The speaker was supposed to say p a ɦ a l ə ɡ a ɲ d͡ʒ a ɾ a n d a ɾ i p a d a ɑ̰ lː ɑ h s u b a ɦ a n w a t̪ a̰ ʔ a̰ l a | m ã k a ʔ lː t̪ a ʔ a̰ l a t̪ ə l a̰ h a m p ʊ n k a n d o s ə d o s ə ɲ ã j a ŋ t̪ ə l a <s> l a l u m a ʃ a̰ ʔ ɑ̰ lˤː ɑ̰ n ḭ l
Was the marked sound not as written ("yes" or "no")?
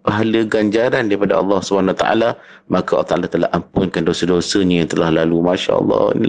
yes